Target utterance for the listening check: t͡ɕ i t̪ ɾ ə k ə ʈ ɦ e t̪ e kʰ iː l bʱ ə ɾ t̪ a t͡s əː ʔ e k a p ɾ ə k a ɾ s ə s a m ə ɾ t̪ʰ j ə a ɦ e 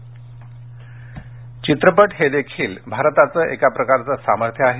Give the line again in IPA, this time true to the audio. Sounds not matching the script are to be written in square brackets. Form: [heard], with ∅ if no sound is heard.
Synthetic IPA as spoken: t͡ɕ i t̪ ɾ ə [p] ə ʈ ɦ e [d̪] e kʰ iː l bʱ [a] ɾ t̪ a t͡s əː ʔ e k a p ɾ ə k a ɾ [t͡s] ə s a m ə ɾ t̪ʰ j ə a ɦ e

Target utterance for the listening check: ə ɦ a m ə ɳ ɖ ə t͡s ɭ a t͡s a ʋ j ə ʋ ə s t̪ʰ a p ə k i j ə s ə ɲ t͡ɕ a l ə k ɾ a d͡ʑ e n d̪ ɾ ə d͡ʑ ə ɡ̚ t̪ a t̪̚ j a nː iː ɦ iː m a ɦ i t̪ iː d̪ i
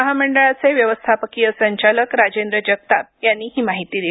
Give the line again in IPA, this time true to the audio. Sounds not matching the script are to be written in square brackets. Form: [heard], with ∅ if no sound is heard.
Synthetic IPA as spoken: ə ɦ a m ə ɳ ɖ ə [∅] ɭ a t͡s [e] ʋ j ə ʋ ə s t̪ʰ a p ə k i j ə s ə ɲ t͡ɕ a l ə k ɾ a d͡ʑ e n d̪ ɾ ə d͡ʑ ə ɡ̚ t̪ a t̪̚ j a nː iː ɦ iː m a ɦ i t̪ iː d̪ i

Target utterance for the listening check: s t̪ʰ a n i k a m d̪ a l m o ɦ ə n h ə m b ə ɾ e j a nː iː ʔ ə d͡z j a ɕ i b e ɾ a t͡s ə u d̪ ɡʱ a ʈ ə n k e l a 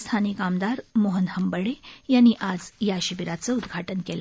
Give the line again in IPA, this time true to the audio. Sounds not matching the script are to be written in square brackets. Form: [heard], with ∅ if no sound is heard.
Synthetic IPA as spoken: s t̪ʰ a n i k a m d̪ a [ɾ] m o ɦ ə n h ə m b ə [ɽ] e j a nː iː ʔ [a] d͡z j a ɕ i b [i] ɾ a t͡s ə u d̪ ɡʱ a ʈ ə n k e l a

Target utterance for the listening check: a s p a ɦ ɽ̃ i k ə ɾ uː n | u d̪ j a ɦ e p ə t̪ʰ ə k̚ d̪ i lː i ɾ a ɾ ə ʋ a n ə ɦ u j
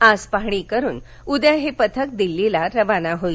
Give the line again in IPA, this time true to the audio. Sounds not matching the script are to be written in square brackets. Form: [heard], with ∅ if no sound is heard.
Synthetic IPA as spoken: a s p a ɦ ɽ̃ i k ə ɾ uː n | u d̪ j a ɦ e p ə t̪ʰ ə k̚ d̪ i lː i [l] a ɾ ə ʋ a n [a] ɦ [o] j

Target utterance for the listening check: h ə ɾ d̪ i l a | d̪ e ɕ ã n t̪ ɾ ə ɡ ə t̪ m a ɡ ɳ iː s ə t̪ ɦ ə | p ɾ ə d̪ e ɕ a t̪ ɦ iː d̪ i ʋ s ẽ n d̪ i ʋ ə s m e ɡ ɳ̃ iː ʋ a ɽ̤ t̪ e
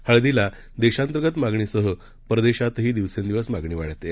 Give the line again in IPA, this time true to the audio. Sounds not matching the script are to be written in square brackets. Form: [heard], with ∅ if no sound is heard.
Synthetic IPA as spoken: h ə [ɭ] d̪ i l a | d̪ e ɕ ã n t̪ ɾ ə ɡ ə t̪ m a ɡ ɳ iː s ə [∅] ɦ ə | p ɾ ə d̪ e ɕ a t̪ ɦ iː d̪ i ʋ s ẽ n d̪ i ʋ ə s m [a] ɡ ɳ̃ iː ʋ a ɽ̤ t̪ e

